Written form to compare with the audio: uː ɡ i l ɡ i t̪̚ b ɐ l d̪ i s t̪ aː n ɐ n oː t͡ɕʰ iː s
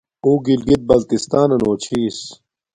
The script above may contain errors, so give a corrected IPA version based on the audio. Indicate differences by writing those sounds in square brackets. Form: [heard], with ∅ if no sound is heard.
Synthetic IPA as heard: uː ɡ i l ɡ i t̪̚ b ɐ l [t̪] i s t̪ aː n ɐ n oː t͡ɕʰ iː s